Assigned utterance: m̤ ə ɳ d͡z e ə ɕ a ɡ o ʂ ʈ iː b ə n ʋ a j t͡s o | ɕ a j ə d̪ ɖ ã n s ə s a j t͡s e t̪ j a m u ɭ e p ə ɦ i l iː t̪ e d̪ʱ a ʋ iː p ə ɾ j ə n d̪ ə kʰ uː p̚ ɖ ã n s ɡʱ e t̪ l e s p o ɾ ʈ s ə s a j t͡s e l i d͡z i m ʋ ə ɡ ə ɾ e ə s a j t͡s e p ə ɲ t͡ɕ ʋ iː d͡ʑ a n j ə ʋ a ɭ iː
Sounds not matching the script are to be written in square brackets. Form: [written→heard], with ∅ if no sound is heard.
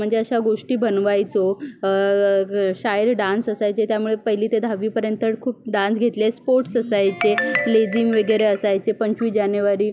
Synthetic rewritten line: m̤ ə ɳ d͡z e ə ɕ a ɡ o ʂ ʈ iː b ə n ʋ a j t͡s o | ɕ a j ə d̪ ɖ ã n s ə s a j t͡s e t̪ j a m u ɭ e p ə ɦ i l iː t̪ e d̪ʱ a ʋ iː p ə ɾ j ə n [d̪→t̪] ə kʰ uː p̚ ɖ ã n s ɡʱ e t̪ l e s p o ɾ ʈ s ə s a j t͡s e l [i→e] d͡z i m ʋ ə ɡ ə ɾ e ə s a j t͡s e p ə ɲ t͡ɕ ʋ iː d͡ʑ a n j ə ʋ a [ɭ→ɾ] iː